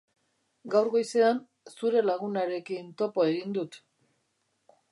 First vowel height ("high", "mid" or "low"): low